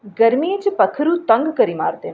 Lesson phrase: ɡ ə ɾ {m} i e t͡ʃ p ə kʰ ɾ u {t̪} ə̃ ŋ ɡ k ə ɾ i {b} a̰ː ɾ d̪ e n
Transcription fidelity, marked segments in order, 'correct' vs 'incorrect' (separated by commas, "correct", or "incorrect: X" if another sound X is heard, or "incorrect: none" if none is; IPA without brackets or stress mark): correct, correct, incorrect: m